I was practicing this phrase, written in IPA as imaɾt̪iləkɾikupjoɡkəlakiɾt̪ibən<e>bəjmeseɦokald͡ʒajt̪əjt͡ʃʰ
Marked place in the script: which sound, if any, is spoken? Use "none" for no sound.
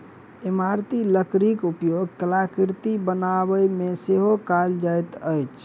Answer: a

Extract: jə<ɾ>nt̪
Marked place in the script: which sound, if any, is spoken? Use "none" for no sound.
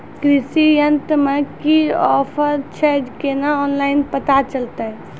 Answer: none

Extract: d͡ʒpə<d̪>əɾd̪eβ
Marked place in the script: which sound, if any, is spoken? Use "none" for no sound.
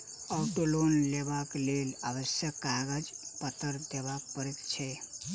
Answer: t̪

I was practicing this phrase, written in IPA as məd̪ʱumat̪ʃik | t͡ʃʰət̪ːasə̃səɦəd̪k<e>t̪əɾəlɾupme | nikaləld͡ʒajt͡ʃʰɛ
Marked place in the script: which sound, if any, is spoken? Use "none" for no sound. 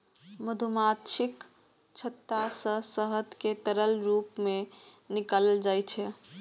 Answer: e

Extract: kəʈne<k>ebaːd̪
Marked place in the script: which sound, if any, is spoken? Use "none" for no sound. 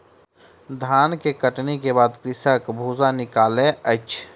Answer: k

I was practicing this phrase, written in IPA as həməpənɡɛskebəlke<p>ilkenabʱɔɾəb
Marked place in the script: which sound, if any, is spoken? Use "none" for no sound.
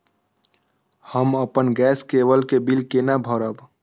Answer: b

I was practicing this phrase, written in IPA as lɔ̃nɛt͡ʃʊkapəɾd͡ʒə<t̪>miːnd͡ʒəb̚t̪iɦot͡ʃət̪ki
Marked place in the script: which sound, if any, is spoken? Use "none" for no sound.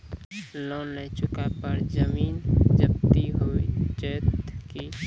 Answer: none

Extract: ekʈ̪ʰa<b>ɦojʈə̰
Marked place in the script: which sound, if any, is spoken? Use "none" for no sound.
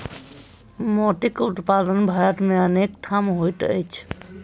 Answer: m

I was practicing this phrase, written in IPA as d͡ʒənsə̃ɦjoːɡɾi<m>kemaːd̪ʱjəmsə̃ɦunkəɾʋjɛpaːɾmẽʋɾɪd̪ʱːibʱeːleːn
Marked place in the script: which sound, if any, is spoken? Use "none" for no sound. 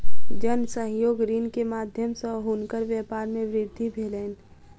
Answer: n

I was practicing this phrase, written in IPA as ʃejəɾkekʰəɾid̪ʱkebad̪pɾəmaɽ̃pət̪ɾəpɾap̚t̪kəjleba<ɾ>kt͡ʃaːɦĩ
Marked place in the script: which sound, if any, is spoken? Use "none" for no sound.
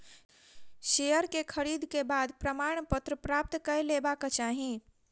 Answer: none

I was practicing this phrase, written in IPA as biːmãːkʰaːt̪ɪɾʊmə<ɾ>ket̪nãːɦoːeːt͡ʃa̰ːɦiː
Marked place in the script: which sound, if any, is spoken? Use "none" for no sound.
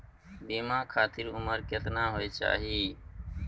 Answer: ɾ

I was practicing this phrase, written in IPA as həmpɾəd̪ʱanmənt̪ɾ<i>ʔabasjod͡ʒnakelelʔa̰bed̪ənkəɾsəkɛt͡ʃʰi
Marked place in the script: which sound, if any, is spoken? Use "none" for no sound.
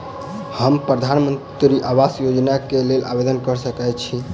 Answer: i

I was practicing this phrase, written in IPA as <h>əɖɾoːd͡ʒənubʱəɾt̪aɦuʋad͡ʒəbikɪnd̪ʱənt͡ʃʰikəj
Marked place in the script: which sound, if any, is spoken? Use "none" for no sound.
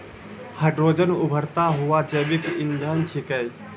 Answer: h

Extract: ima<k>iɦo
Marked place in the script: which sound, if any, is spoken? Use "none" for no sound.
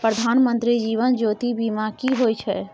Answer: k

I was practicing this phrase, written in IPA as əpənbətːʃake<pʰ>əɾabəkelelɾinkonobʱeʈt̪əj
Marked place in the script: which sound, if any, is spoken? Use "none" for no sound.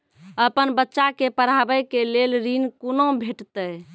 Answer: p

